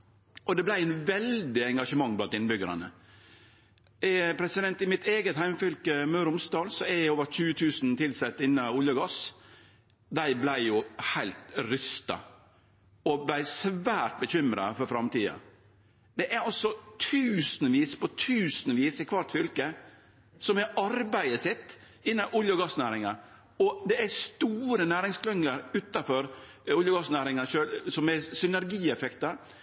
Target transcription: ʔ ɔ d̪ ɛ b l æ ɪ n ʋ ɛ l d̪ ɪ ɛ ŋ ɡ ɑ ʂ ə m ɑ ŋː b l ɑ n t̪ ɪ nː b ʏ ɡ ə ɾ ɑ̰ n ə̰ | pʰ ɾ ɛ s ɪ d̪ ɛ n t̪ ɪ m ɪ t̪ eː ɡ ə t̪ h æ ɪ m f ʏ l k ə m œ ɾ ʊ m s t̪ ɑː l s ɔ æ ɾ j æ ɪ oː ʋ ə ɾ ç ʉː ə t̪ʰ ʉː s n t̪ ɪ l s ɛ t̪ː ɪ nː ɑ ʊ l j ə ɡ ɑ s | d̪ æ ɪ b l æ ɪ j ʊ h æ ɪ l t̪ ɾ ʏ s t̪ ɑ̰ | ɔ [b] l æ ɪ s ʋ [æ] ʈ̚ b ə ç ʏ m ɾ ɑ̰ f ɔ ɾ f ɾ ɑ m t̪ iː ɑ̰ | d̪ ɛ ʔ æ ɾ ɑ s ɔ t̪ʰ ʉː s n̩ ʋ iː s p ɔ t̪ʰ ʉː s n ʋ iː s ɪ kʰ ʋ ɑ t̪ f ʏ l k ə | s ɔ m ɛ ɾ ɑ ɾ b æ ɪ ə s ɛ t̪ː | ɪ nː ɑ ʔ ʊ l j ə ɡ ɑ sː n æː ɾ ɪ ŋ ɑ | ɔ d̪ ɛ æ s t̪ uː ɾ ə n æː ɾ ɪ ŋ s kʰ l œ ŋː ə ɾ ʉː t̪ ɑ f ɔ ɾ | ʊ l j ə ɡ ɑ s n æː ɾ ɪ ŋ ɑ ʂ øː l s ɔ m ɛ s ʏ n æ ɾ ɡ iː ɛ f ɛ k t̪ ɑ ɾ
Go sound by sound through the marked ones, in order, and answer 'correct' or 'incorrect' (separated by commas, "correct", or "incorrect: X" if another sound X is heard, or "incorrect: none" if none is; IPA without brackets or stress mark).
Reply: correct, incorrect: æː